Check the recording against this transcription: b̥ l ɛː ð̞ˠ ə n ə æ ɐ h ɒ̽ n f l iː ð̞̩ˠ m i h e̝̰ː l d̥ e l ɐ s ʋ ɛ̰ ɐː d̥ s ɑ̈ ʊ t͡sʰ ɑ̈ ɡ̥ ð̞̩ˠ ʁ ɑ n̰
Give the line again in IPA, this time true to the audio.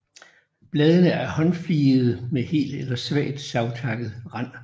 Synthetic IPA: b̥ l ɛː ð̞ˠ ə n ə æ ɐ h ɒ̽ n f l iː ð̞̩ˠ m e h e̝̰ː l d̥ e l ɐ s ʋ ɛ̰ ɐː d̥ s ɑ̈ ʊ t͡sʰ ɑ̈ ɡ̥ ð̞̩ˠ ʁ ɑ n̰

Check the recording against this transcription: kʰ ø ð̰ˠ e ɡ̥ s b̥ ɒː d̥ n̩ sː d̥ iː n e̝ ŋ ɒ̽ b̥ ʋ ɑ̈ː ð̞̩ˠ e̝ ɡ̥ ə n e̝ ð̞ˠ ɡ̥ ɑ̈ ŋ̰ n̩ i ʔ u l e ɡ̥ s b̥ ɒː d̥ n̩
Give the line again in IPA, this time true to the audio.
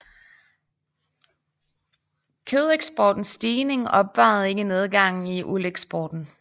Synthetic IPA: kʰ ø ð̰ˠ e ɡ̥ s b̥ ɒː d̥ n̩ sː d̥ iː n e̝ ŋ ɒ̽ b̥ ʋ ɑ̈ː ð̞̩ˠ e̝ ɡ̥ ə n e̝ ð̞ˠ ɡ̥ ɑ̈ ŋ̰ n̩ i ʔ u l e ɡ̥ s b̥ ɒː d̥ n̩

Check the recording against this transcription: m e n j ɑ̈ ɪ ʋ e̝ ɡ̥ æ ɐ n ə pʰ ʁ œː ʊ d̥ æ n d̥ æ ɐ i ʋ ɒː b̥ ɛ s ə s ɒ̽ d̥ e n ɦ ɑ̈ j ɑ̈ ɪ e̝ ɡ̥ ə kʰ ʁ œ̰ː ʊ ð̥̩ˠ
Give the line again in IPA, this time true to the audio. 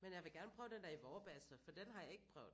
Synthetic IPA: m e n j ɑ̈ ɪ ʋ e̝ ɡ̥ æ ɐ n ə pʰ ʁ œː ʊ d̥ e n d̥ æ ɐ i ʋ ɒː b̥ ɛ s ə f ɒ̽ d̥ e n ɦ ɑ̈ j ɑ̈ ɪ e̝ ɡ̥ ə pʰ ʁ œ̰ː ʊ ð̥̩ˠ

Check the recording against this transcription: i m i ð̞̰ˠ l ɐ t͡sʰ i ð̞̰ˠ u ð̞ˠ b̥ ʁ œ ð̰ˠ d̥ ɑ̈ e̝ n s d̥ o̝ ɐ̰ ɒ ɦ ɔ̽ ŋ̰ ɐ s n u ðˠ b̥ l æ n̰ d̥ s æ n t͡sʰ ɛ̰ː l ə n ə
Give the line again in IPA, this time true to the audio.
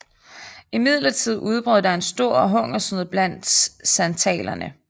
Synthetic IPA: i m i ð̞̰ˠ l ɐ t͡sʰ i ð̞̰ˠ u ð̞ˠ b̥ ʁ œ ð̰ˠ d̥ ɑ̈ e̝ n s d̥ o̝ ɐ̰ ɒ ɦ ɔ̽ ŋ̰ ɐ s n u ðˠ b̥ l æ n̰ d̥ s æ n t͡sʰ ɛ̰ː l ɐ n ə

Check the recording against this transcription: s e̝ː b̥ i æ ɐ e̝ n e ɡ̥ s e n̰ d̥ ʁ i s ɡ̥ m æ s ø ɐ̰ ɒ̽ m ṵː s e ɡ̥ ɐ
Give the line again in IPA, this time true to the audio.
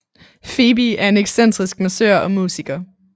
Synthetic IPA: f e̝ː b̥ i æ ɐ e̝ n e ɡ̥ s e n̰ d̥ ʁ i s ɡ̥ m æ s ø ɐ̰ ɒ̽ m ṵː s i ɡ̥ ɐ

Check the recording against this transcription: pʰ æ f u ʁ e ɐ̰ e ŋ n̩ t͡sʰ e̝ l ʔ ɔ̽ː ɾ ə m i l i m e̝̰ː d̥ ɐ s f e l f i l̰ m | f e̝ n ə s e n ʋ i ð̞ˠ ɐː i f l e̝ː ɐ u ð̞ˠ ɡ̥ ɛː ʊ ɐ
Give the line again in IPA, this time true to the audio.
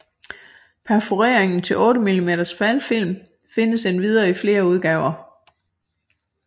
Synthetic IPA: pʰ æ f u ʁ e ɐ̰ e ŋ n̩ t͡sʰ e̝ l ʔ ɔ̽ː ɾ ə m i l i m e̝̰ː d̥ ɐ s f æ l f i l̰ m | f e̝ n ə s e n ʋ i ð̞ˠ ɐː i f l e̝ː ɐ u ð̞ˠ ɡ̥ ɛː ʊ ɐ

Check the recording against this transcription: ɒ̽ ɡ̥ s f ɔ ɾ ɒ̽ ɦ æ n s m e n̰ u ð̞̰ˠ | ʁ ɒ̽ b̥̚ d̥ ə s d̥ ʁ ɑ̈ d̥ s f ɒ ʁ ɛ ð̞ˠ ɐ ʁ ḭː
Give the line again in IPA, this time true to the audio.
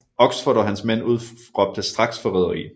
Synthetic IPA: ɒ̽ ɡ̥ s f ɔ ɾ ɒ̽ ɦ æ n s m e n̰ u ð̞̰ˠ | ʁ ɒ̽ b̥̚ d̥ ə s d̥ ʁ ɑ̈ ɡ̥ s f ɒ ʁ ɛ ð̞ˠ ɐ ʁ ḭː

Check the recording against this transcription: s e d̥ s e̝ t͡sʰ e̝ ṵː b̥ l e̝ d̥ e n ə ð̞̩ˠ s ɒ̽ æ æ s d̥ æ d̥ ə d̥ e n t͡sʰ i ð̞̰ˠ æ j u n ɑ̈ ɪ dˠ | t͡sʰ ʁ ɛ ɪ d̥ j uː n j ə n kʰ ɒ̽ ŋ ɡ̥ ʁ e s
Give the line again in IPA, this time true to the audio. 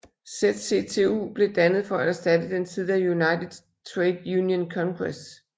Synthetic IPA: s e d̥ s e̝ t͡sʰ e̝ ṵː b̥ l e̝ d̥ æ n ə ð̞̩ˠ f ɒ̽ æ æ s d̥ æ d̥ ə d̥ e n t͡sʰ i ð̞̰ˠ æ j u n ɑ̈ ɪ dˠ | t͡sʰ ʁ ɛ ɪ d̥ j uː n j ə n kʰ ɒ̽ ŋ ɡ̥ ʁ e s

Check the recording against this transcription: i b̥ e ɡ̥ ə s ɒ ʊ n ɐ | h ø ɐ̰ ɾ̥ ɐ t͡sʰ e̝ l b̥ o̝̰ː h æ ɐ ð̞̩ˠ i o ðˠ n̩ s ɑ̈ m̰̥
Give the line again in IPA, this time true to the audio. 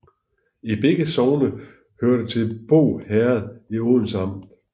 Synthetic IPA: i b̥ e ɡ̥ ə s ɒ ʊ n ə | h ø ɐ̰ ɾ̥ ə t͡sʰ e̝ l b̥ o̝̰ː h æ ɐ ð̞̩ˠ i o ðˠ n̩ s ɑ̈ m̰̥

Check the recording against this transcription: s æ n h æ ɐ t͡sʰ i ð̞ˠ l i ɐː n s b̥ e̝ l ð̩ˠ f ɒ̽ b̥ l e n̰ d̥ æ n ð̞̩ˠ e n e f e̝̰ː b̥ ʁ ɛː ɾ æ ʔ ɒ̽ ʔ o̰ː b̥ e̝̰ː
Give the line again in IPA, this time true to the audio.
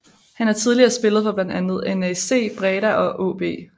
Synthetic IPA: h æ n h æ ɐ t͡sʰ i ð̞ˠ l i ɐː s b̥ e̝ l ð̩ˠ f ɒ̽ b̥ l æ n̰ d̥ æ n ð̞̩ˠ e n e s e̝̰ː b̥ ʁ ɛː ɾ æ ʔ ɒ̽ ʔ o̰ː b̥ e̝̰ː

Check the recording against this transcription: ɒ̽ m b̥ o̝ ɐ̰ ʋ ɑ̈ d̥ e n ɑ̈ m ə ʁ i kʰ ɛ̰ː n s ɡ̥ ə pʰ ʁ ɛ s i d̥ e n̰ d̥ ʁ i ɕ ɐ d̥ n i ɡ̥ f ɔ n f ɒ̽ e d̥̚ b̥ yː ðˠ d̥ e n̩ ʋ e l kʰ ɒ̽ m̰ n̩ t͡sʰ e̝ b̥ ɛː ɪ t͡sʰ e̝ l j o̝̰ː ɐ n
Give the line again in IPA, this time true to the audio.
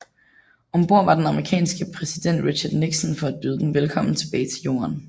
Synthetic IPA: ɒ̽ m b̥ o̝ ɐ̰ ʋ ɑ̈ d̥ e n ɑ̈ m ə ʁ i kʰ ɛ̰ː n s ɡ̥ ə pʰ ʁ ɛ s i d̥ e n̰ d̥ ʁ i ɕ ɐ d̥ n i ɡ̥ s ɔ n f ɒ̽ æ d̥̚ b̥ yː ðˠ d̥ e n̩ ʋ e l kʰ ɒ̽ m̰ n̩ t͡sʰ e̝ b̥ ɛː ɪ t͡sʰ e̝ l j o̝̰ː ɐ n

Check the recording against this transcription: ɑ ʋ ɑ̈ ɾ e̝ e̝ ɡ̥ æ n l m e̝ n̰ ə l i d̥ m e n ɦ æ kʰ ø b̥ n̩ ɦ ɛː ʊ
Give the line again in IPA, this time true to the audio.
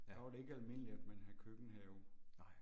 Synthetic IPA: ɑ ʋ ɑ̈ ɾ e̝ e̝ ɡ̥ æ l m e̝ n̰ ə l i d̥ m e n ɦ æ kʰ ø ɡ̥ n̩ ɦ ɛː ʊ

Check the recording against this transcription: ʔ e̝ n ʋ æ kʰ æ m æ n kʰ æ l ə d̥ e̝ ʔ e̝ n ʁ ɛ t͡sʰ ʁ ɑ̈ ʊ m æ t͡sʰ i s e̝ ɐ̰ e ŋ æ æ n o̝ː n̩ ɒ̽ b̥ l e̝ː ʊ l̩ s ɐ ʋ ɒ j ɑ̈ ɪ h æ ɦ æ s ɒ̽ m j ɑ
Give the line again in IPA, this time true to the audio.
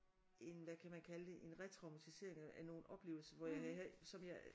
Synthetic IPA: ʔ e̝ n ʋ æ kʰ æ m æ n kʰ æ l ə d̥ e̝ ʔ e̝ n ʁ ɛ t͡sʰ ʁ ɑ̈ ʊ m æ t͡sʰ i s e̝ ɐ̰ e ŋ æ æ n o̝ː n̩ ɒ̽ b̥ l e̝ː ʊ l̩ s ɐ ʋ ɒ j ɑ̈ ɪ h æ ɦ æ s ɒ̽ m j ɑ

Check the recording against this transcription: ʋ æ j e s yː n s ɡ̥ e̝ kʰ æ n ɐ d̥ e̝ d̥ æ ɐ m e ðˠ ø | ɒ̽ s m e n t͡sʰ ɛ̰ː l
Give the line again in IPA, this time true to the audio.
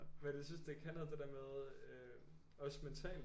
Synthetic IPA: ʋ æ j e s y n s d̥ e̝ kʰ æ n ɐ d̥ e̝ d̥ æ ɐ m e ðˠ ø | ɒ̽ s m e n t͡sʰ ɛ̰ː l

